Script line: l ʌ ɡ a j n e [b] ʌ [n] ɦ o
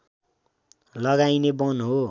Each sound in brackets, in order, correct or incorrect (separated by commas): correct, correct